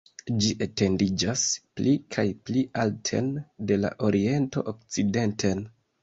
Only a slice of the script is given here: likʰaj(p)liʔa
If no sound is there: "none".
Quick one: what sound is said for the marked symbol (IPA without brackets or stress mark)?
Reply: p